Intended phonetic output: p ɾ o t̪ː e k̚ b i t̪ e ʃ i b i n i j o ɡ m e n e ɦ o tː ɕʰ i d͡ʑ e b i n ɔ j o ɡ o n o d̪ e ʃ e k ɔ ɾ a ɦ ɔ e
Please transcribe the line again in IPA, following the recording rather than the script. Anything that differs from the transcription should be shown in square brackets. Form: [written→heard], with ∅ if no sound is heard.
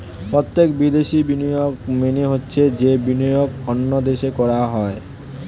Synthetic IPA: p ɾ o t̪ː e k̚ b i [t̪→d̪] e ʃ i b i n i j o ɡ m e n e ɦ o tː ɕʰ [i→e] d͡ʑ e b i n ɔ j o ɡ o [n→nː] o d̪ e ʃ e k ɔ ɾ a ɦ ɔ e